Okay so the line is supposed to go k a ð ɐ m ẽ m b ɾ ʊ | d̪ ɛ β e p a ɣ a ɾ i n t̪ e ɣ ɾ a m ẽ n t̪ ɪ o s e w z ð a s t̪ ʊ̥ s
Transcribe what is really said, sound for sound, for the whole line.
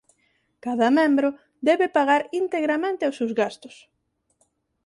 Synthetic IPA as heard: k a ð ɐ m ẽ m b ɾ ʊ | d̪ ɛ β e p a ɣ a ɾ i n t̪ e ɣ ɾ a m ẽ n t̪ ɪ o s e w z ɣ a s t̪ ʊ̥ s